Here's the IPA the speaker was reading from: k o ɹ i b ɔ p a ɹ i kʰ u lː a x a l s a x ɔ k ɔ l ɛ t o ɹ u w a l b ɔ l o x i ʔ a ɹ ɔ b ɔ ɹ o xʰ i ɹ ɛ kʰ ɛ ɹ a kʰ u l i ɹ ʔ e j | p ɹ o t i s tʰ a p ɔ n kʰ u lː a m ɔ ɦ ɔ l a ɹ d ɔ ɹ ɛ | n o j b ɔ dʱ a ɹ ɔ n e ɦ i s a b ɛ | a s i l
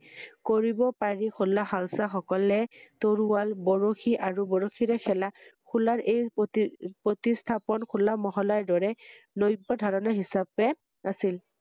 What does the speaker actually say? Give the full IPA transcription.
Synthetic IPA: k o ɹ i b ɔ p a ɹ i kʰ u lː a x a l s a x ɔ k ɔ l ɛ t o ɹ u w a l b ɔ ɹ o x i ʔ a ɹ u b ɔ ɹ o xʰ i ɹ ɛ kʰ ɛ l a kʰ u l a ɹ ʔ e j | p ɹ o t i s tʰ a p ɔ n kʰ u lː a m ɔ ɦ ɔ l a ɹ d ɔ ɹ ɛ | n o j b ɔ dʱ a ɹ ɔ n a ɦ i s a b ɛ | a s i l